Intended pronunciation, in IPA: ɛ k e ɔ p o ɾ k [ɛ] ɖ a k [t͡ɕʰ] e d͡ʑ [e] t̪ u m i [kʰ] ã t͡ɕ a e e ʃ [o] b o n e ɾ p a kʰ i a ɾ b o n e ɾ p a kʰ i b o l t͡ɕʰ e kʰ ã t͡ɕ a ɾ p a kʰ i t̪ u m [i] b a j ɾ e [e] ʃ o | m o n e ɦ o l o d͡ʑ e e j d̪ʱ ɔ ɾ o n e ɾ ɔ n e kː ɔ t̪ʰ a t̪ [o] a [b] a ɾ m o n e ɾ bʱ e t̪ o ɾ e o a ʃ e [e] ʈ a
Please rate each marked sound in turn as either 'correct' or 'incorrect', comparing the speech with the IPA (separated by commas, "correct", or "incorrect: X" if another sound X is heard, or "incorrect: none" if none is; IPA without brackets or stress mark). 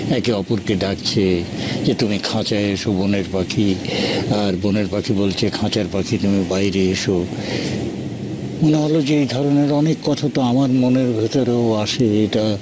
incorrect: e, correct, correct, correct, correct, correct, correct, correct, incorrect: m, correct